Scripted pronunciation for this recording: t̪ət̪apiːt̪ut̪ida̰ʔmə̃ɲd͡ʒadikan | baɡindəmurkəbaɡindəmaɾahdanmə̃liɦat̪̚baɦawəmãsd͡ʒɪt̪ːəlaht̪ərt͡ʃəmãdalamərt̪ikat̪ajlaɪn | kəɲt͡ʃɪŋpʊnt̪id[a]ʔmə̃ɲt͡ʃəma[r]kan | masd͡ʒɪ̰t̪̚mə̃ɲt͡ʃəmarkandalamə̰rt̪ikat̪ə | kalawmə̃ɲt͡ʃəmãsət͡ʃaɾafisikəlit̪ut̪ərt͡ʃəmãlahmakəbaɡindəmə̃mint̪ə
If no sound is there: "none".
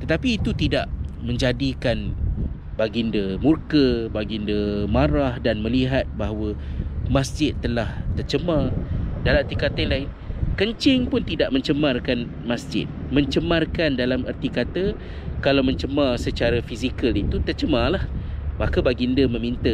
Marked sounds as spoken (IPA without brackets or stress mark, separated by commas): a, r